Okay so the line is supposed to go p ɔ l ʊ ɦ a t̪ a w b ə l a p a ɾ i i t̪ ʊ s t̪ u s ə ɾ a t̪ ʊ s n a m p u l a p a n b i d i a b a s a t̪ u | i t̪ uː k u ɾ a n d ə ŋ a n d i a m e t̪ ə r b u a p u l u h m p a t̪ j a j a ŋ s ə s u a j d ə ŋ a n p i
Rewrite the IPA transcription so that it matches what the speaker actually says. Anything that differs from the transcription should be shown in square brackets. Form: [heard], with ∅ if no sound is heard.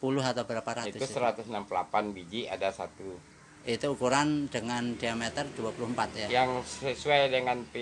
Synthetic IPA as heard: p [u] l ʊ ɦ a t̪ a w b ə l a p a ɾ [a] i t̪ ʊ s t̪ u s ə ɾ a t̪ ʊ s n a m p u l a p a n b i [d͡ʒ] i a [d] a s a t̪ u | i t̪ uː k u ɾ a n d ə ŋ a n d i a m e t̪ ə r [d] u a p u l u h m p a t̪ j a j a ŋ s ə s u a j d ə ŋ a n p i